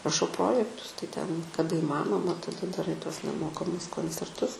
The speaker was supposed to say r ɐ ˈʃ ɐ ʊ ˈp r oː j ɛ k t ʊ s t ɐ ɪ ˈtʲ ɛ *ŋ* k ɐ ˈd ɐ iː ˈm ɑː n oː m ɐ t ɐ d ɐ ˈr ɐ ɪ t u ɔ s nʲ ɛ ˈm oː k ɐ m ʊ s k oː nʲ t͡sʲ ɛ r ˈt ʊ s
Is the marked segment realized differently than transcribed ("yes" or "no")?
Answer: yes